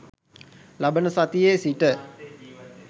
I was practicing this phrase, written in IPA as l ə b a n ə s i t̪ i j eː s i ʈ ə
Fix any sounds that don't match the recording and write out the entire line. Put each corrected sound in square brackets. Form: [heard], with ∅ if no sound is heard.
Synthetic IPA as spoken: l [a] b [ə] n ə s [a] t̪ i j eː s i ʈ ə